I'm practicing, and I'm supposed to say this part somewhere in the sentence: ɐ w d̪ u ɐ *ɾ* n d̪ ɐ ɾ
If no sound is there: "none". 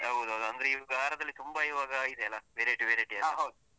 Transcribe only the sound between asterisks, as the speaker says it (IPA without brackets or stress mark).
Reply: none